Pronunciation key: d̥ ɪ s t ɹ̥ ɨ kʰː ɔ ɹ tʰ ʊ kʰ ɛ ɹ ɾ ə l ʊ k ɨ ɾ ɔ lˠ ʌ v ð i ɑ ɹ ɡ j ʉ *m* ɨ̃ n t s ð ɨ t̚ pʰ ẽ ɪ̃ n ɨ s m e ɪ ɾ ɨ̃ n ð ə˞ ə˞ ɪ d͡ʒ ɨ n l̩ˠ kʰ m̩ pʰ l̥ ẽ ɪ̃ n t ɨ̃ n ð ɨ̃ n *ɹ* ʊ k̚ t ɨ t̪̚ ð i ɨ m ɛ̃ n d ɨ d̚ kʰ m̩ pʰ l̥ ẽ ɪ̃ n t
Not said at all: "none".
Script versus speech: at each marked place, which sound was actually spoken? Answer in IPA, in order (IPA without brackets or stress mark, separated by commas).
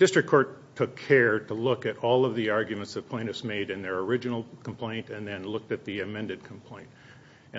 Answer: m, l